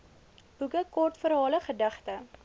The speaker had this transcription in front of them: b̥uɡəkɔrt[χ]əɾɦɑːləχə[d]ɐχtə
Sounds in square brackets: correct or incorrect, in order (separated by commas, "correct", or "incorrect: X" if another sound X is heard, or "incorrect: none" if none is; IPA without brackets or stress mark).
incorrect: f, correct